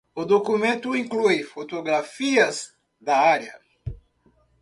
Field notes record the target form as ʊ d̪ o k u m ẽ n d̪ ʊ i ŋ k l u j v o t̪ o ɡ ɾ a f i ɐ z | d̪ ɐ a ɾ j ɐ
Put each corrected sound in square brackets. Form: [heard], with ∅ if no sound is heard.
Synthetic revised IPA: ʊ d̪ o k u m ẽ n [t̪] ʊ [ĩ] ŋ k l u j [f] o t̪ o ɡ ɾ a f i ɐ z | d̪ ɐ a ɾ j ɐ